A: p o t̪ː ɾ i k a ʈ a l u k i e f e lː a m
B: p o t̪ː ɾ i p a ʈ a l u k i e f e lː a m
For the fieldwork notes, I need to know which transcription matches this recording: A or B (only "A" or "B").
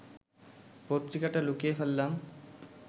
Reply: A